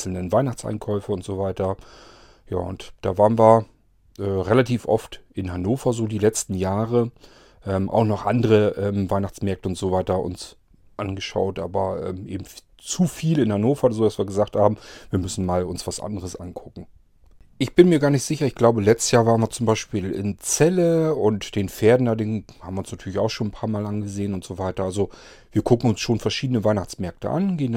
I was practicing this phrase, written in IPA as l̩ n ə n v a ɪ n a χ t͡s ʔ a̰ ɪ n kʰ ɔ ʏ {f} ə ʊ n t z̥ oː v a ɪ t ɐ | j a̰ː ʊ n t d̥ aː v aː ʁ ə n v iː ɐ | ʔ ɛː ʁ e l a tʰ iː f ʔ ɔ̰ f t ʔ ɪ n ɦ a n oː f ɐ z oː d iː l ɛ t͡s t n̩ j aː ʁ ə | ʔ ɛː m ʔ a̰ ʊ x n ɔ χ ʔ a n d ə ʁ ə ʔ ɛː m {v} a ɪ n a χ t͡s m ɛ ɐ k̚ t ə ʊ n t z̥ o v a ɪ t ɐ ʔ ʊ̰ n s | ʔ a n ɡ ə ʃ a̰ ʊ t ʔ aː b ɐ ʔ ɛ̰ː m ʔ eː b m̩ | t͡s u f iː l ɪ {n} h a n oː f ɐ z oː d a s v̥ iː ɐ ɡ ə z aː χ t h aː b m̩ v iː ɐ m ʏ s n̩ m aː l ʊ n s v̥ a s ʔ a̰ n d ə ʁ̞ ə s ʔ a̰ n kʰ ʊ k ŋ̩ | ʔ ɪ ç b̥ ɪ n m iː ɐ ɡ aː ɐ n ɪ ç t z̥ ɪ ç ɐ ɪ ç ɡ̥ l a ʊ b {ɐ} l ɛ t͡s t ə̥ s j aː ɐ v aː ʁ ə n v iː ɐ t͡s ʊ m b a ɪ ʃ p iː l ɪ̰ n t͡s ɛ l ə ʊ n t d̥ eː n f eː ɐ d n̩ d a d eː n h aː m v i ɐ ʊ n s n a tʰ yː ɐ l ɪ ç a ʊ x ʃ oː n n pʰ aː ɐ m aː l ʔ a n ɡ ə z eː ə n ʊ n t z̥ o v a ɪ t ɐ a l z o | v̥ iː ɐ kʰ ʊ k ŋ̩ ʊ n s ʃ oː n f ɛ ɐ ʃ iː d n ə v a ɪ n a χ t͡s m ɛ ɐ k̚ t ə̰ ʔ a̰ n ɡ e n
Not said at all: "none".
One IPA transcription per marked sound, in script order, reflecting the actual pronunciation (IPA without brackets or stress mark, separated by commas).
f, v, n, ə